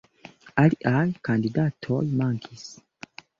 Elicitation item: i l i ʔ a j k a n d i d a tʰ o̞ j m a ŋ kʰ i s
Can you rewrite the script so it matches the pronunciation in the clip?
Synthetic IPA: a l i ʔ a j k a n d i d a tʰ o̞ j m a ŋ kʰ i s

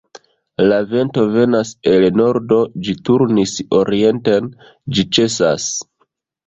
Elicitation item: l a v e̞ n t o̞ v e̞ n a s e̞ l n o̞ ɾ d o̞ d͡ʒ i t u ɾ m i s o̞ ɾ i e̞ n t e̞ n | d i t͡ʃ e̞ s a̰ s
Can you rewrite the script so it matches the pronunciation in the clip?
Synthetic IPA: l a v e̞ n t o̞ v e̞ n a s e̞ l n o̞ ɾ d o̞ d͡ʒ i t u ɾ n i s o̞ ɾ i e̞ n t e̞ n | d͡ʒ i t͡ʃ e̞ s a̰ s

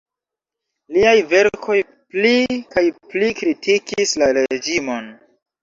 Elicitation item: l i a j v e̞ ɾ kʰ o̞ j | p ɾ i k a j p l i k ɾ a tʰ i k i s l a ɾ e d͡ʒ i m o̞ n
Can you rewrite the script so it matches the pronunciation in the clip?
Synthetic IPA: l i a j v e̞ ɾ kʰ o̞ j | p l i k a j p l i k ɾ i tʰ i k i s l a ɾ e d͡ʒ i m o̞ n

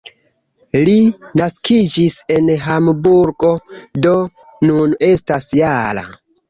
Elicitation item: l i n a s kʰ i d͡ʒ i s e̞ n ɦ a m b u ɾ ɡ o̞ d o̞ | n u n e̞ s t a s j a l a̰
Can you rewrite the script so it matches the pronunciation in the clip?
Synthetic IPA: l i n a s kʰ i d͡ʒ i s e̞ n ɦ a m b u ɾ ɡ o̞ d o̞ | n u n e̞ s t a s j a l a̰

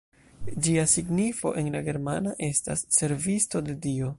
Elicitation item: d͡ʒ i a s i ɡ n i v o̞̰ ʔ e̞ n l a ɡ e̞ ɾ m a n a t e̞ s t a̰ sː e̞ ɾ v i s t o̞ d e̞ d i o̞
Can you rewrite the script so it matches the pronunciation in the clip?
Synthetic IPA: d͡ʒ i a s i ɡ n i f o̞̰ ʔ e̞ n l a ɡ e̞ ɾ m a n a ʔ e̞ s t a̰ sː e̞ ɾ v i s t o̞ d e̞ d i o̞

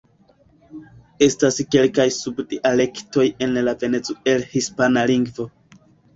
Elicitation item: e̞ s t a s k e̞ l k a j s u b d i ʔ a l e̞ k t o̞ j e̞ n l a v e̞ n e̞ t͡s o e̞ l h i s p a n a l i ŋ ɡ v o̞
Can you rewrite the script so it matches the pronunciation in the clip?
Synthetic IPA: e̞ s t a s k e̞ l k a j s u b d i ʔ a l e̞ k t o̞ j e̞ n l a v e̞ n e̞ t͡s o e̞ l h i s p a n a l i ŋ ɡ v o̞

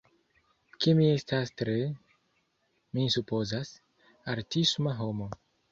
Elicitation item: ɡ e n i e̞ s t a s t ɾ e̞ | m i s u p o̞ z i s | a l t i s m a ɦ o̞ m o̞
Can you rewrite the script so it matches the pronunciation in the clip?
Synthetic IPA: k e m i e̞ s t a s t ɾ e̞ | m i s u p o̞ z a s | a ɾ t i s m a ɦ o̞ m o̞

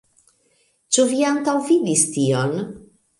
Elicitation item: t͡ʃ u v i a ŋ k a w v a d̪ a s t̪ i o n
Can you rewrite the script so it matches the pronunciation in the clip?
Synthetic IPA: t͡ʃ u v i a ŋ k a w v i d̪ i s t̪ i o n

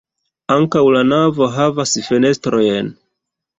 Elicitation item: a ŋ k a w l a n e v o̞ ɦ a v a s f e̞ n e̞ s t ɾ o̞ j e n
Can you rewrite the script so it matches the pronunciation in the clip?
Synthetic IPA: a ŋ k a w l a n a v o̞ ɦ a v a s f e̞ n e̞ s t ɾ o̞ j e n

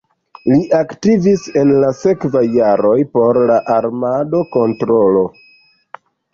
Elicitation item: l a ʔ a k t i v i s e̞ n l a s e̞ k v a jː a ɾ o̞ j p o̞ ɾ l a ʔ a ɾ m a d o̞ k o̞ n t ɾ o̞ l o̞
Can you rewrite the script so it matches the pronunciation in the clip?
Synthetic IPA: l i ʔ a k t i v i s e̞ n l a s e̞ k v a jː a ɾ o̞ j p o̞ ɾ l a ʔ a ɾ m a d o̞ k o̞ n t ɾ o̞ l o̞

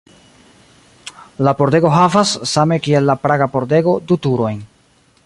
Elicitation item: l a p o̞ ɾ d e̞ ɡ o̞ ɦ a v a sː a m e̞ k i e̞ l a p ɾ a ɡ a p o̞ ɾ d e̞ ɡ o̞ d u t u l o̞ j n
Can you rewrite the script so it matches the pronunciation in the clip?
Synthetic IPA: l a p o̞ ɾ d e̞ ɡ o̞ ɦ a v a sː a m e̞ k i e̞ lː a p ɾ a ɡ a p o̞ ɾ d e̞ ɡ o̞ d u t u ɾ o̞ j n

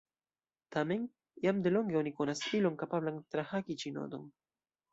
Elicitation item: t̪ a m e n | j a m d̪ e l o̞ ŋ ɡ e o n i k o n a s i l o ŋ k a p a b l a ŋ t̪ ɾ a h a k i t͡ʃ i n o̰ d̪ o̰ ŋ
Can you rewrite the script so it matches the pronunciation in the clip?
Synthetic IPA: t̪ a m e n | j a m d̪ e l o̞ ŋ ɡ e o n i k o n a s i l o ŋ k a p a b l a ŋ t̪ ɾ a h a k i t͡ʃ i n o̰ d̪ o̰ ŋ

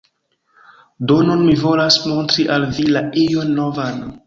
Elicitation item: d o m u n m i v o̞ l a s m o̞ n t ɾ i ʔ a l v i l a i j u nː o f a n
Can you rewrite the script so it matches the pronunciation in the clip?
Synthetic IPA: d o n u n m i v o̞ l a s m o̞ n t ɾ i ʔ a l v i l a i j o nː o v a n

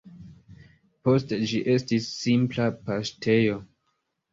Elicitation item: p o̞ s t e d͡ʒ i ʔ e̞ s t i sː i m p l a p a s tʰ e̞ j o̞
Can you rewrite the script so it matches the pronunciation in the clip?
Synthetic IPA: p o̞ s t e d͡ʒ i ʔ e̞ s t i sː i m p l a p a s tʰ e̞ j o̞

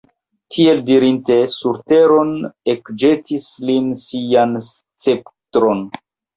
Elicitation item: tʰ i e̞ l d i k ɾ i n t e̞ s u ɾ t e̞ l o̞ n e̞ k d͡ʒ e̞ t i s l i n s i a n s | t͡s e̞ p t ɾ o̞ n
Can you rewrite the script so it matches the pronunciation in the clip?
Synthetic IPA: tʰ i e̞ l d i ɾ i n t e̞ s u ɾ t e̞ ɾ o̞ n e̞ k d͡ʒ e̞ t i s l i n s i a n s | t͡s e̞ p t ɾ o̞ n

